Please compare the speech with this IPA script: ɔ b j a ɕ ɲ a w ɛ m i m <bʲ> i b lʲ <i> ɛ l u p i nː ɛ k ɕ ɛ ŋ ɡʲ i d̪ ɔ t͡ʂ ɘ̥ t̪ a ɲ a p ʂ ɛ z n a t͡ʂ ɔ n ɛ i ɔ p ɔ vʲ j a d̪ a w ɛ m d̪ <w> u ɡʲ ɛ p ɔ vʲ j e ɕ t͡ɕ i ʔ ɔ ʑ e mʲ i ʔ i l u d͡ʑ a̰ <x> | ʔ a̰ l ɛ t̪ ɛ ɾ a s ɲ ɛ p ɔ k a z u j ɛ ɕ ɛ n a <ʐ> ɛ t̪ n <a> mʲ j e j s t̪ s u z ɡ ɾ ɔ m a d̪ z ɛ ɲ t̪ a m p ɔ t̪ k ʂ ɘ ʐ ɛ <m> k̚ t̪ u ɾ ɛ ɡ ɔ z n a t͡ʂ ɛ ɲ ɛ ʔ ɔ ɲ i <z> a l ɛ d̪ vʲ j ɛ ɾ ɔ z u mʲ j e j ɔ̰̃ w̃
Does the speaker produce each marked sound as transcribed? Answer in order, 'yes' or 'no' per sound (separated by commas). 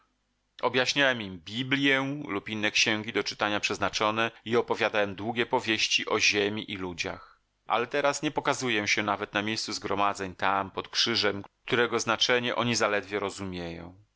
yes, no, yes, yes, no, yes, yes, yes